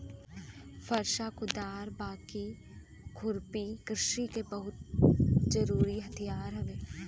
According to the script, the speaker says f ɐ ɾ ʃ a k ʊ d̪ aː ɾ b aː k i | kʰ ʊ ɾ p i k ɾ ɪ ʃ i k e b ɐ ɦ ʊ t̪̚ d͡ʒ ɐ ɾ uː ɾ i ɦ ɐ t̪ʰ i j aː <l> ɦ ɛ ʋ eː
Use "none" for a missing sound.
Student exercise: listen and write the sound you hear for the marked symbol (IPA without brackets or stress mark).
ɾ